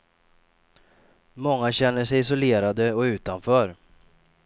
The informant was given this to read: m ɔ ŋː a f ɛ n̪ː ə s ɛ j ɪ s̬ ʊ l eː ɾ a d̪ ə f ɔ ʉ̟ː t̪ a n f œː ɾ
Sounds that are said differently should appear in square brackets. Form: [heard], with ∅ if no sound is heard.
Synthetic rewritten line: m ɔ ŋː a [ɕ] ɛ n̪ː ə [ʂ] ɛ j ɪ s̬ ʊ l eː ɾ a d̪ ə [∅] ɔ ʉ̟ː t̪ a n f œː ɾ